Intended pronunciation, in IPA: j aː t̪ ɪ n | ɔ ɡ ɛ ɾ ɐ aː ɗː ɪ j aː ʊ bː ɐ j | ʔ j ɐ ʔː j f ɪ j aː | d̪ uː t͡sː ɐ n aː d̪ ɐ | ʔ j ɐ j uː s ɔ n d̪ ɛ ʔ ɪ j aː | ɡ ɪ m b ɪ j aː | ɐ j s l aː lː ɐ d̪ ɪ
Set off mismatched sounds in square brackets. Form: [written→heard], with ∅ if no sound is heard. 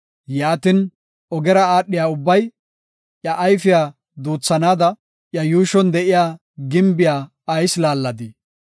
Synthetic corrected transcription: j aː t̪ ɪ n | ɔ ɡ ɛ ɾ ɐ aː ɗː ɪ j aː ʊ bː ɐ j | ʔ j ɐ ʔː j f ɪ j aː | d̪ uː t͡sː ɐ n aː d̪ ɐ | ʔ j ɐ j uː [s→ʃ] ɔ n d̪ ɛ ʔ ɪ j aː | ɡ ɪ m b ɪ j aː | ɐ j s l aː lː ɐ d̪ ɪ